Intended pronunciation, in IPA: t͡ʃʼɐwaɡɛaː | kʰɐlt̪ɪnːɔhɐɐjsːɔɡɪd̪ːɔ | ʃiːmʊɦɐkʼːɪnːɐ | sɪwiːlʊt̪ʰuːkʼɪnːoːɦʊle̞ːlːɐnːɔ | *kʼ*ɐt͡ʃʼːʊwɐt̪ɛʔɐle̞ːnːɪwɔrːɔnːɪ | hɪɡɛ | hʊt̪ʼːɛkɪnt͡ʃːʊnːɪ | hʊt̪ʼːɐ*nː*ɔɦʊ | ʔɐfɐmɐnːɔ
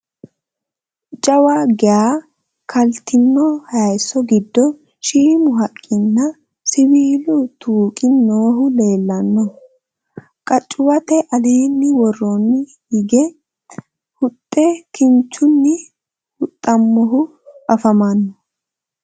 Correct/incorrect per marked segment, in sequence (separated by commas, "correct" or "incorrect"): correct, incorrect